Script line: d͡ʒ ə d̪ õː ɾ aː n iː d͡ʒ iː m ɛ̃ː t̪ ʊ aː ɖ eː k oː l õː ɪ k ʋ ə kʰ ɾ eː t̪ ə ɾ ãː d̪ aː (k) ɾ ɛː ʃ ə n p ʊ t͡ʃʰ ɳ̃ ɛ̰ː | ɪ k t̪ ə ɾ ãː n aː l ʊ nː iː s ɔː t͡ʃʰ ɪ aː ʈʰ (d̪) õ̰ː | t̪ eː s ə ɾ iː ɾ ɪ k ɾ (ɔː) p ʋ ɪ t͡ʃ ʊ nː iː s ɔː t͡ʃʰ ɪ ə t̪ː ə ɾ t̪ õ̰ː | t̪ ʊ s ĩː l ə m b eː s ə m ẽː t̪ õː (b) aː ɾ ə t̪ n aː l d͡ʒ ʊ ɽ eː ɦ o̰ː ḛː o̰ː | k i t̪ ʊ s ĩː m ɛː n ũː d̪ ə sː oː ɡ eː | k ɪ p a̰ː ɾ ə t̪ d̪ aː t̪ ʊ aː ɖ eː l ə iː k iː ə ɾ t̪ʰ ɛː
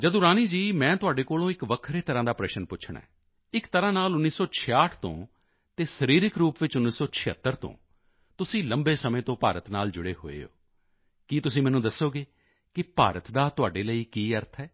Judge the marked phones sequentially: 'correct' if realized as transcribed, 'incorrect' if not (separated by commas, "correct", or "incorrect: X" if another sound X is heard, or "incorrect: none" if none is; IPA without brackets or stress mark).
incorrect: p, incorrect: t̪, incorrect: uː, incorrect: p